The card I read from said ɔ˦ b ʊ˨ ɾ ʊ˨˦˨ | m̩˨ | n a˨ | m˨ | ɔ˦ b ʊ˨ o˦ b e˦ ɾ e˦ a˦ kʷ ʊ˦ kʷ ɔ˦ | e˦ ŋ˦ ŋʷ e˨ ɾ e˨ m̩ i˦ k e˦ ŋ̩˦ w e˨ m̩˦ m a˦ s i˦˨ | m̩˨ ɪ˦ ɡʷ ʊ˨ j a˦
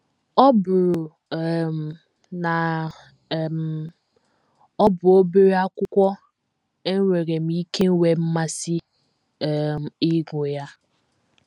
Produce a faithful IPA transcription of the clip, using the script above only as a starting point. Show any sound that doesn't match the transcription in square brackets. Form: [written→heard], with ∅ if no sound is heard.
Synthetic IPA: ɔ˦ b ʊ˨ ɾ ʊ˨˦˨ | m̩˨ | n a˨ | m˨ | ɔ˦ b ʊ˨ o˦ b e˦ ɾ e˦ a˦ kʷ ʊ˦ kʷ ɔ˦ | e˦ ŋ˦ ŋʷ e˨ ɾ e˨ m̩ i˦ k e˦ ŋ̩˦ w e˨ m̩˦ m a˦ s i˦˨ | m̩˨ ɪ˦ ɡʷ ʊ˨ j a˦